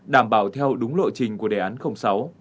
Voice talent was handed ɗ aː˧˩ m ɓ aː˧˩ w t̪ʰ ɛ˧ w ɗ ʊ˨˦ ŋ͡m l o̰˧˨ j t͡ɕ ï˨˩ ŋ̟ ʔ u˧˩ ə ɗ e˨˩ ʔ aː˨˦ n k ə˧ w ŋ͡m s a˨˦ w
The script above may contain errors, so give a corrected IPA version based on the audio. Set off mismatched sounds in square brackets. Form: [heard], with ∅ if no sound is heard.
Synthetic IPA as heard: ɗ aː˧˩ m ɓ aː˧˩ w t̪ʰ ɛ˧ w ɗ ʊ˨˦ ŋ͡m l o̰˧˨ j t͡ɕ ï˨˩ ŋ̟ [k] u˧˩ ə ɗ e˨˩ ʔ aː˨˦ n [x] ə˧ w ŋ͡m s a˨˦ w